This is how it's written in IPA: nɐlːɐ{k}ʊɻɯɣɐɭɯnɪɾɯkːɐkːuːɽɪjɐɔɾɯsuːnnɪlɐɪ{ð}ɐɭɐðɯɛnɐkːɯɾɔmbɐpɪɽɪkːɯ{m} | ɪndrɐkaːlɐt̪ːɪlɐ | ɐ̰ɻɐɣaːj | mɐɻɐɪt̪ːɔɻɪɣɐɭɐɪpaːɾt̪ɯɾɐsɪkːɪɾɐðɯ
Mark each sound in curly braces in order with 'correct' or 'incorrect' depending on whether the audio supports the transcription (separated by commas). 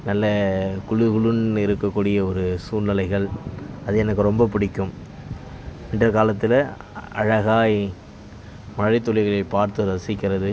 correct, incorrect, correct